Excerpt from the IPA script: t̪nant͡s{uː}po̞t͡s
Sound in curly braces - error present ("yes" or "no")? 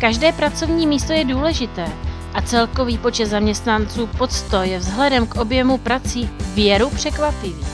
no